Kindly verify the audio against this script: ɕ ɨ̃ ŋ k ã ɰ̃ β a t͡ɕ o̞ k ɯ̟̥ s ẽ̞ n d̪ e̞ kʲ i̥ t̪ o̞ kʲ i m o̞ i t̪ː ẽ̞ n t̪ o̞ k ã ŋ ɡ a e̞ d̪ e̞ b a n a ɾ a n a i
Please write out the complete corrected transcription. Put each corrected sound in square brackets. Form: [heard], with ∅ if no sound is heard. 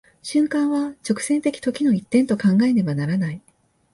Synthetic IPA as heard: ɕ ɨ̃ ŋ k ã ɰ̃ β a t͡ɕ o̞ k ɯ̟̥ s ẽ̞ n [t̪] e̞ kʲ i̥ t̪ o̞ kʲ i [n] o̞ i t̪ː ẽ̞ n t̪ o̞ k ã ŋ ɡ a e̞ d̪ e̞ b a n a ɾ a n a i